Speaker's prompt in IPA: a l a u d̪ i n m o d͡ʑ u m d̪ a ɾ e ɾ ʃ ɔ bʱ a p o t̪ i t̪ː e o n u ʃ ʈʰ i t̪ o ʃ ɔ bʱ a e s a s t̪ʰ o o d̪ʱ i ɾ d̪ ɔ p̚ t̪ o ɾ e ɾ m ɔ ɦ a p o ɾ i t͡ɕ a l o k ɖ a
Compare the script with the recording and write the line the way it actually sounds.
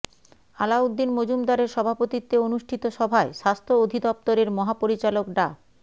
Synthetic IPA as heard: a l a u d̪ː i n m o d͡ʑ u m d̪ a ɾ e ɾ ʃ ɔ bʱ a p o t̪ i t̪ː e o n u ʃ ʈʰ i t̪ o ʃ ɔ bʱ a e ʃ a s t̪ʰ o o d̪ʱ i d̪ ɔ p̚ t̪ o ɾ e ɾ m ɔ ɦ a p o ɾ i t͡ɕ a l o k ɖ a